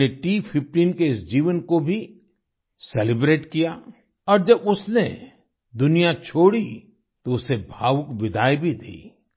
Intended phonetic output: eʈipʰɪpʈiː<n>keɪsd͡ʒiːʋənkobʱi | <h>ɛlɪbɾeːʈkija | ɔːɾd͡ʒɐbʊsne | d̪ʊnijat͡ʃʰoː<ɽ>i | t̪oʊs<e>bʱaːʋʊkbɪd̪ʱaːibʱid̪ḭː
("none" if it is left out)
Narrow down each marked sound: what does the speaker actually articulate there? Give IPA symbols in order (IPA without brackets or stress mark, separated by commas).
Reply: n, s, ɽ, e